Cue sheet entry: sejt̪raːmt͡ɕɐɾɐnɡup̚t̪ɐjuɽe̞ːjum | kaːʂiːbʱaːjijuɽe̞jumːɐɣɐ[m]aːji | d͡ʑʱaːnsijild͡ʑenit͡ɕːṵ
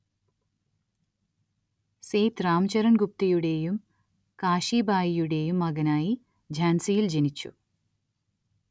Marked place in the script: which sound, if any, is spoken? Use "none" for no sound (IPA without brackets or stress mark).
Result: n